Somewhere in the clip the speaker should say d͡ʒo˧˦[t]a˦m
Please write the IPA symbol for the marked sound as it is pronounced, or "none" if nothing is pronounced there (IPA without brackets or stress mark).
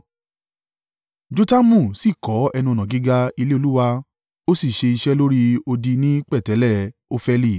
t